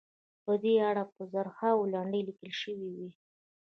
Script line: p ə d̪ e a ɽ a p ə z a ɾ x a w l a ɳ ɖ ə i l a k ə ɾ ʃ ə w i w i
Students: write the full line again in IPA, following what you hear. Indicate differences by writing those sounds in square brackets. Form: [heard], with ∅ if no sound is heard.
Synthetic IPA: p ə d̪ e a ɽ a p ə z a ɾ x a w l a ɳ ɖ ə [j] l [i] k ə [l] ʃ ə w i w i

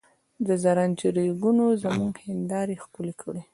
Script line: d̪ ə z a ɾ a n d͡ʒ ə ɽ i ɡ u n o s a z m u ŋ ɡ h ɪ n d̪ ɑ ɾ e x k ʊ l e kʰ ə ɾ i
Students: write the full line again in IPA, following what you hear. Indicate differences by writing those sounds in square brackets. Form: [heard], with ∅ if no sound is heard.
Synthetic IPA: d̪ ə z a ɾ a n d͡ʒ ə [ɾ] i ɡ u n o [z] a [∅] m u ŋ ɡ h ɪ n d̪ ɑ ɾ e x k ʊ l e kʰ ə [ɽ] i

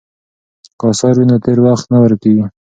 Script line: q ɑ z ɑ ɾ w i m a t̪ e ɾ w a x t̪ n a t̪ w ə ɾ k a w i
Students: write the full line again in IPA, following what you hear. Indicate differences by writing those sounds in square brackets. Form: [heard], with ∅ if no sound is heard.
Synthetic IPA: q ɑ [s] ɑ ɾ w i [n] a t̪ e ɾ w a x t̪ n a [∅] w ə ɾ k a w i

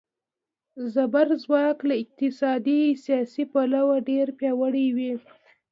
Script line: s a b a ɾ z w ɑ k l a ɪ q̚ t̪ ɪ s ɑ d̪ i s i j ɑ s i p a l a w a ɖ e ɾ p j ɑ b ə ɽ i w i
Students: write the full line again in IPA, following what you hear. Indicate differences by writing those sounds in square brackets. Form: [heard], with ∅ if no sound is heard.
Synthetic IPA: [z] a b a ɾ z w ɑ k l a ɪ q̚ t̪ ɪ s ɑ d̪ i s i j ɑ s i p a l a w a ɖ e ɾ p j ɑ [w] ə ɽ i w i

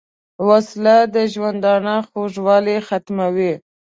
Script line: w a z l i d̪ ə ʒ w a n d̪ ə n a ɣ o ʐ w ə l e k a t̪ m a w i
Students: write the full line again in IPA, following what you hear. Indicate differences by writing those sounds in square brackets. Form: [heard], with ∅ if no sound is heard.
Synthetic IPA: w a [s] l [a] d̪ ə ʒ w a n d̪ [ɑ] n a [x] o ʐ w [ɑ] l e [x] a t̪ m a w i

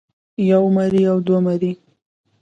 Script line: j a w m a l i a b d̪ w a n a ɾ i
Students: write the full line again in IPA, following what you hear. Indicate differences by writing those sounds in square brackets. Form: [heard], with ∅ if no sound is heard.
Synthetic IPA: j a w m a [ɾ] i a [w] d̪ w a [m] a ɾ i

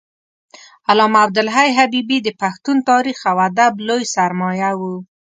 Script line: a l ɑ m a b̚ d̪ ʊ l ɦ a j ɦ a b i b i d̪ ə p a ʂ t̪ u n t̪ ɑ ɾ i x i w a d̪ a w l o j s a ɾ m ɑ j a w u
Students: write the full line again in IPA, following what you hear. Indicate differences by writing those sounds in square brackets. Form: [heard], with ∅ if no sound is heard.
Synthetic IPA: a l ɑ m a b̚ d̪ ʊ l ɦ a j ɦ a b i b i d̪ ə p a [x] t̪ u n t̪ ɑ ɾ i x [a] w a d̪ a [b] l o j s a ɾ m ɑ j a w u

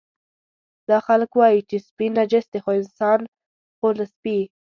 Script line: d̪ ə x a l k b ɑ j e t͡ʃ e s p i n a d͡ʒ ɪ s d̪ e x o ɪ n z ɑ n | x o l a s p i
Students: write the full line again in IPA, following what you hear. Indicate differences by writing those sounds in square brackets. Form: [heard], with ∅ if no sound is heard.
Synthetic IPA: d̪ [ɑ] x a l k [w] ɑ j [i] t͡ʃ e s p i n a d͡ʒ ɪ s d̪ e x o ɪ n [s] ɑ n | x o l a s p i

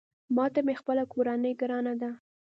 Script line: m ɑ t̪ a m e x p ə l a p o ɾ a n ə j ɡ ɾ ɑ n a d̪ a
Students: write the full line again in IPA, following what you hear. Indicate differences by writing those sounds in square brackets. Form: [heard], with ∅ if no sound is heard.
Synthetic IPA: m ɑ t̪ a m e x p ə l a [k] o ɾ a n ə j ɡ ɾ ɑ n a d̪ a

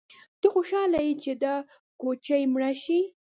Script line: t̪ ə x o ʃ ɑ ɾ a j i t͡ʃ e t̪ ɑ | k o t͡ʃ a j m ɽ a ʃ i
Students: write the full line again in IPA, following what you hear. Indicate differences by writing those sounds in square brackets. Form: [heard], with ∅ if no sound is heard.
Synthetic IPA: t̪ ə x o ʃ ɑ [l] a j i t͡ʃ e [d̪] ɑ | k o t͡ʃ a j m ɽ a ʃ i

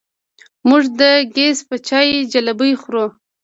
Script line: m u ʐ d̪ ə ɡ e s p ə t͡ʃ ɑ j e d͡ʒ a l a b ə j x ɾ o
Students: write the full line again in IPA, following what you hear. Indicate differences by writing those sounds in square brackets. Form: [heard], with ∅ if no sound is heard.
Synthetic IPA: m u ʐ d̪ ə ɡ e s p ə t͡ʃ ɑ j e d͡ʒ a l a b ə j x ɾ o

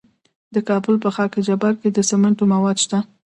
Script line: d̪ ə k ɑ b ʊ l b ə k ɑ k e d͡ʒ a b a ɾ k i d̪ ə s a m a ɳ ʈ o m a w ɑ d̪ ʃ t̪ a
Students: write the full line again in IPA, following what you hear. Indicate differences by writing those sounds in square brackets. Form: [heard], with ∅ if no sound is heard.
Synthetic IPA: d̪ ə k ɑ b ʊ l [p] ə [x] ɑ k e d͡ʒ a b a ɾ k [e] d̪ ə s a m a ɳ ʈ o m a w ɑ d̪ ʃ t̪ a

